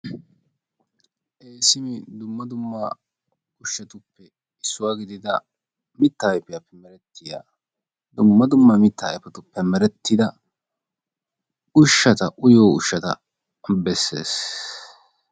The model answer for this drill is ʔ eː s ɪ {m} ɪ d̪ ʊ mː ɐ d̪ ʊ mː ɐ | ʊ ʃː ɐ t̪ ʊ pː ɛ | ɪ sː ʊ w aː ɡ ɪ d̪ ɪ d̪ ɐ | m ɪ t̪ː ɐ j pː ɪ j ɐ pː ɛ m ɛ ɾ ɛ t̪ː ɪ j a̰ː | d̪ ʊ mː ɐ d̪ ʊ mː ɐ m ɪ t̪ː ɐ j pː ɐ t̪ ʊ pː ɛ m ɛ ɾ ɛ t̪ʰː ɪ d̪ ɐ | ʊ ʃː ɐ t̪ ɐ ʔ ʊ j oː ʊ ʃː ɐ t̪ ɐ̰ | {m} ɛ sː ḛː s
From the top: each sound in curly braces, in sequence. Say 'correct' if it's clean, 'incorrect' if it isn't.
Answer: correct, incorrect: b

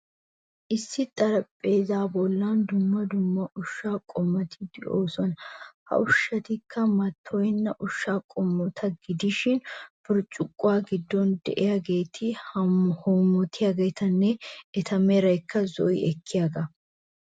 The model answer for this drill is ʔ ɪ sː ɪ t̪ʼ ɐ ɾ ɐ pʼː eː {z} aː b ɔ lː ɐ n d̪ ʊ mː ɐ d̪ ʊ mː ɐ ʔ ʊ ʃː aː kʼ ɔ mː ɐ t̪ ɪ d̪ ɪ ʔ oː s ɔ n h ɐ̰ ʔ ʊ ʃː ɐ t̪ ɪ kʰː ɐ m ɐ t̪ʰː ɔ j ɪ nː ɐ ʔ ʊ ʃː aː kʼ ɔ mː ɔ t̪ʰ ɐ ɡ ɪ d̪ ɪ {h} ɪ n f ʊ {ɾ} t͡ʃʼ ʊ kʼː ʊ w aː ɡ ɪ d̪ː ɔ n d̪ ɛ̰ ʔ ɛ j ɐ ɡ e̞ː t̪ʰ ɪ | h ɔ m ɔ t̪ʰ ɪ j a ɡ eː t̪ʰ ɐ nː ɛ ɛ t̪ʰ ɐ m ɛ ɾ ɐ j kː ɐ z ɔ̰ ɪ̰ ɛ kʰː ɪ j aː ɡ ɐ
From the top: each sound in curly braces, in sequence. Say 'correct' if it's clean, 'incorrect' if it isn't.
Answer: correct, incorrect: ʃ, correct

